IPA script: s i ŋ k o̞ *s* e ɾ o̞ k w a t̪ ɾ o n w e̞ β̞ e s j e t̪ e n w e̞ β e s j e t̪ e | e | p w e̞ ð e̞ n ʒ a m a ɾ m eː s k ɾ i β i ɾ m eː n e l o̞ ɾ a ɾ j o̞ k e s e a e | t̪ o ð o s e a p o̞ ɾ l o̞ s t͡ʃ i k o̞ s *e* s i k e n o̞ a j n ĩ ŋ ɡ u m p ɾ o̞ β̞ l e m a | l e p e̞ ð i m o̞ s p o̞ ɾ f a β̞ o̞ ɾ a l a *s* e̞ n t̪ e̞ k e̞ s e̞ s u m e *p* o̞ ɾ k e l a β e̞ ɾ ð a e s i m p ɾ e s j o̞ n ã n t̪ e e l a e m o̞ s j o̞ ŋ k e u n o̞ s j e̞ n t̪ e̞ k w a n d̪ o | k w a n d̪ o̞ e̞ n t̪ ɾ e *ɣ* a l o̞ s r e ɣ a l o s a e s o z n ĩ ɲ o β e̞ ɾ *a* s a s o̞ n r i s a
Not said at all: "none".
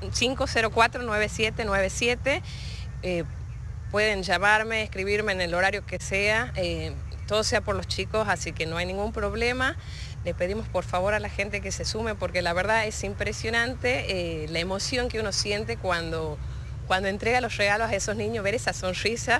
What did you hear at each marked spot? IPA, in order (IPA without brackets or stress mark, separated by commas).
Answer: s, a, x, p, ɣ, e